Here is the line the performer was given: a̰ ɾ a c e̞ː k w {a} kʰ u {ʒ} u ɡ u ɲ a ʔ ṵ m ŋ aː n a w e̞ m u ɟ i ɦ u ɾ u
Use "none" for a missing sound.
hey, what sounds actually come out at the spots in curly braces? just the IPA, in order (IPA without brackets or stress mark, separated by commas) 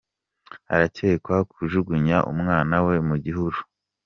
a, ʒ